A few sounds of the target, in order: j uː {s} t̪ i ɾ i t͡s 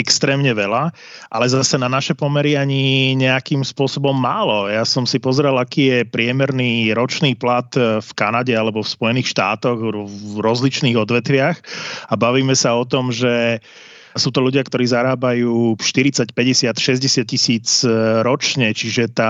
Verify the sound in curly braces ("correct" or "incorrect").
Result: incorrect